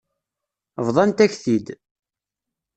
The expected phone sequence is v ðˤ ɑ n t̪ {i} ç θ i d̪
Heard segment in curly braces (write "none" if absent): æ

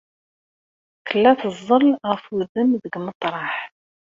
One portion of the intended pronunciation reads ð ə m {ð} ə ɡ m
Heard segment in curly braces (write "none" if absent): ð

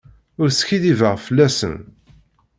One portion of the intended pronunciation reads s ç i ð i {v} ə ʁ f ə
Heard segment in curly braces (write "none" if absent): v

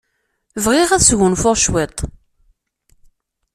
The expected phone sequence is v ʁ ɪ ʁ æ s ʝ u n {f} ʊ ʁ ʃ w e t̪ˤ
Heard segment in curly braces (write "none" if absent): f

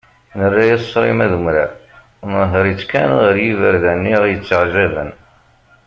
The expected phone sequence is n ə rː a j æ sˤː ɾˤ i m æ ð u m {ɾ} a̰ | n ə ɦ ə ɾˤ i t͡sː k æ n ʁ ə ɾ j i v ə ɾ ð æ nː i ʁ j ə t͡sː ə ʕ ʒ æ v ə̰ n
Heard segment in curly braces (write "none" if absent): ɾ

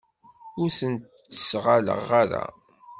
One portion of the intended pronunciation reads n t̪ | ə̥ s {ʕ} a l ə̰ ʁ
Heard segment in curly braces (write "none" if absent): ʁ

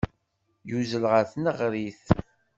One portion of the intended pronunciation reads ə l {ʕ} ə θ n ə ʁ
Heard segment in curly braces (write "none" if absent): ʁ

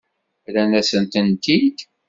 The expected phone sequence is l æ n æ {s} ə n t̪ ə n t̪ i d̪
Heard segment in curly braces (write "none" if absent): s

